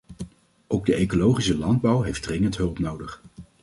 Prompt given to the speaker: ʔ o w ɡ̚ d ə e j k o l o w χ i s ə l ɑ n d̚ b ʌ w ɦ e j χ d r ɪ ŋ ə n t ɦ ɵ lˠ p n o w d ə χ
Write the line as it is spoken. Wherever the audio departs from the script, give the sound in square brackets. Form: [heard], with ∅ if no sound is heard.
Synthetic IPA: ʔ o w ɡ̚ d ə e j k o l o w χ i s ə l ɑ n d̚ b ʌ w ɦ e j [f] d r ɪ ŋ ə n t ɦ ɵ lˠ p n o w d ə χ